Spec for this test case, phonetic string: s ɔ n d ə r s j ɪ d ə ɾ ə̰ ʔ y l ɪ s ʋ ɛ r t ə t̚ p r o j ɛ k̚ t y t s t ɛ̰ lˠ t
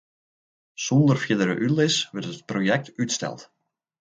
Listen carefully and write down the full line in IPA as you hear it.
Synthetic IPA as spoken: s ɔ n d ə r f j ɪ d ə ɾ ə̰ ʔ y l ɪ s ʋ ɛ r t ə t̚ p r o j ɛ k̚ t y t s t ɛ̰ lˠ t